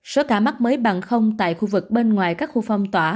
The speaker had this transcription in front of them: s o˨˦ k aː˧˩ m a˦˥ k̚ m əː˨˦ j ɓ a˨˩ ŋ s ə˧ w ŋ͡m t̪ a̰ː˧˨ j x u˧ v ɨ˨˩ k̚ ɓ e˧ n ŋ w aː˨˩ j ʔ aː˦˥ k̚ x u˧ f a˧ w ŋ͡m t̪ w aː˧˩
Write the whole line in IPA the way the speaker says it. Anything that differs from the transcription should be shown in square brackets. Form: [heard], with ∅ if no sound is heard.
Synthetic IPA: s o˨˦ k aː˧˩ m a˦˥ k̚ m əː˨˦ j ɓ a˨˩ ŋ [x] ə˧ w ŋ͡m t̪ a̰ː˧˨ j x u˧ v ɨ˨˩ k̚ ɓ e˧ n ŋ w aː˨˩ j [k] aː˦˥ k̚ x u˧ f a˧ w ŋ͡m t̪ w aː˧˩